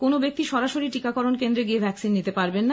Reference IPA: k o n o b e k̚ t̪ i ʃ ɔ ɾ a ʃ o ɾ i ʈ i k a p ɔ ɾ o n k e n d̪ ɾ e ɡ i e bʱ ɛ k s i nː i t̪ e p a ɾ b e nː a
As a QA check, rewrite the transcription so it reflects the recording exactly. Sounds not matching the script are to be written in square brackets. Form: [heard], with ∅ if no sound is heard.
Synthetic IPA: k o n o b e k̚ t̪ i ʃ ɔ ɾ a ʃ o ɾ i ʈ i k a [k] ɔ ɾ o n k e n d̪ ɾ e ɡ i e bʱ ɛ k s i nː i t̪ e p a ɾ b e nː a